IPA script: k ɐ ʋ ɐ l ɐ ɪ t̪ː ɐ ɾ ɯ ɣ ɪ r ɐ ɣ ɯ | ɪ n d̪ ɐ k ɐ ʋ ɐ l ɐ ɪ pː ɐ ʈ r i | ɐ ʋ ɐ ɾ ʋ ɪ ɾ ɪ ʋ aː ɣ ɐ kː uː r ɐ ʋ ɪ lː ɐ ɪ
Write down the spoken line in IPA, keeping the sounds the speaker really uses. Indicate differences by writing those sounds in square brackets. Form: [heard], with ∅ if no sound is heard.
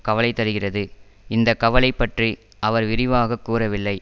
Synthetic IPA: k ɐ ʋ ɐ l ɐ ɪ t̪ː ɐ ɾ ɯ ɣ ɪ r ɐ [ð] ɯ | ɪ n d̪ ɐ k ɐ ʋ ɐ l ɐ ɪ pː ɐ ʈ r i | ɐ ʋ ɐ ɾ ʋ ɪ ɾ ɪ ʋ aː ɣ ɐ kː uː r ɐ ʋ ɪ lː ɐ ɪ